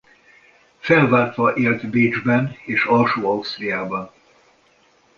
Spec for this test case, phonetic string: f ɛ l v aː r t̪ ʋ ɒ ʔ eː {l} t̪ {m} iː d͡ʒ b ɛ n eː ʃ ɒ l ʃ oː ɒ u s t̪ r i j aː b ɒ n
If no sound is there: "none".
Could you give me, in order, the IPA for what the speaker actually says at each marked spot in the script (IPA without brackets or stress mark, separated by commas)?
l, b